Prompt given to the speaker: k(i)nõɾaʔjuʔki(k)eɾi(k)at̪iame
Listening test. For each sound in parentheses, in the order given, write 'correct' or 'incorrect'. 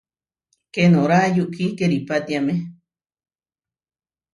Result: incorrect: e, correct, incorrect: p

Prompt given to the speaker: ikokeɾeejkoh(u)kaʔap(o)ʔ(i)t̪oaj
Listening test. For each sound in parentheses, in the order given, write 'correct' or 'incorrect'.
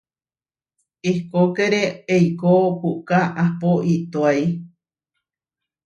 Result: correct, correct, correct

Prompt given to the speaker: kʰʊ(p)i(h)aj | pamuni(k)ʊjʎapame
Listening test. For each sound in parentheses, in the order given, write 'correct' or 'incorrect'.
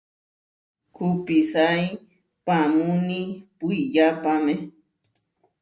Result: correct, incorrect: s, incorrect: p

